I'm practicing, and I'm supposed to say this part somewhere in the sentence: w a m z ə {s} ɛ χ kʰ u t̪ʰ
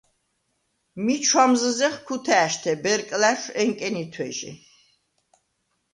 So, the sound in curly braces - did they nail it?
no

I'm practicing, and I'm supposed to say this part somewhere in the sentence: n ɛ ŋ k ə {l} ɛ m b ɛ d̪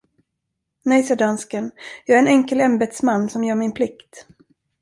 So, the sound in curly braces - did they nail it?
yes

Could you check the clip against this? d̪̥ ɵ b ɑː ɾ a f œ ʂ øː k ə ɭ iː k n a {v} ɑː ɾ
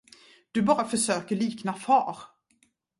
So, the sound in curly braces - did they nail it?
no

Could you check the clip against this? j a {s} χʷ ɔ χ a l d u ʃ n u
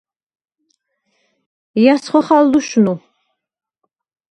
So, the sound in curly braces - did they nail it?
yes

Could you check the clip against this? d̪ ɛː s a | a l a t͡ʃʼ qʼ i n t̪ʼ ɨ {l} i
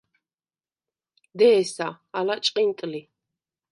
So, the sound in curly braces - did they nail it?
yes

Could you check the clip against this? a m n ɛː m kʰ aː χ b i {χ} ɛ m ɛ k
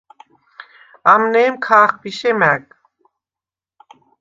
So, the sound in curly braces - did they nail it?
no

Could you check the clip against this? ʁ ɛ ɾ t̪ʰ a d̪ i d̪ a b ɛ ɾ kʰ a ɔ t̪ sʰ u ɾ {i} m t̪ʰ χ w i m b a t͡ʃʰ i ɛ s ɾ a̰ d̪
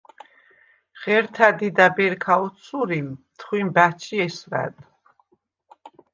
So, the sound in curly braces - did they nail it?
yes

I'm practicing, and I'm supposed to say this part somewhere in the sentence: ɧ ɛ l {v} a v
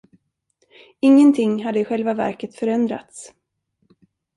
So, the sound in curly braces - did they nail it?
yes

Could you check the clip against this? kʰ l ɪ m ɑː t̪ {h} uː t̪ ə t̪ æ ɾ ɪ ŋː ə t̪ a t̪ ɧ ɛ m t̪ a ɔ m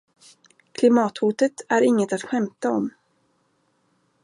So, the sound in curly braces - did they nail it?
yes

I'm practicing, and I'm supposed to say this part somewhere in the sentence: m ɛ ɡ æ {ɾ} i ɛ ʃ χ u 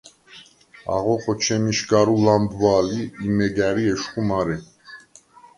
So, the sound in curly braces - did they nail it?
yes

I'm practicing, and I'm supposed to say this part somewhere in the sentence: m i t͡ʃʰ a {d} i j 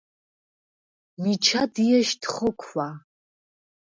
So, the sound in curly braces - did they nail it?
yes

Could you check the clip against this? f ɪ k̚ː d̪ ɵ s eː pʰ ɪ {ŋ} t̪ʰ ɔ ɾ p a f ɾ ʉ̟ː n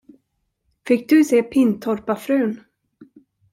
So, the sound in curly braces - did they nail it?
no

